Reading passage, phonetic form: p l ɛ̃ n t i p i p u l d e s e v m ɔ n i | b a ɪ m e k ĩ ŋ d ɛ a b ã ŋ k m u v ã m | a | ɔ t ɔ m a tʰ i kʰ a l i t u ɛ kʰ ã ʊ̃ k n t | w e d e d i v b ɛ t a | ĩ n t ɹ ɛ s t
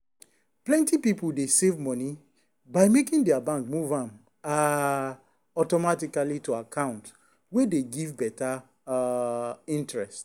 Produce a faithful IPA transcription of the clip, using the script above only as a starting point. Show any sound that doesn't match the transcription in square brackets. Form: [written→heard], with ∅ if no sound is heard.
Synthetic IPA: p l ɛ̃ n t i p i p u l d e s e v m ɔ n i | b a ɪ m e k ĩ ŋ d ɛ a b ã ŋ k m u v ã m | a | ɔ t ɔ m a [tʰ→t] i [kʰ→k] a l i t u [ɛ→a] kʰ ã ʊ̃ [k→∅] n t | w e d e [d→ɡ] i v b ɛ t a | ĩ n t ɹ ɛ s t